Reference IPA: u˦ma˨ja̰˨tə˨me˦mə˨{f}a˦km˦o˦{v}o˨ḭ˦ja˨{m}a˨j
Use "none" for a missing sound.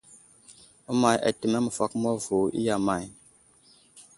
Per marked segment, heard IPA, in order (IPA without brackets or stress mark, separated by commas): f, v, m